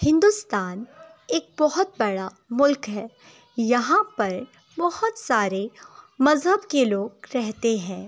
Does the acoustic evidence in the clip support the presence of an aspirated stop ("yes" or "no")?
no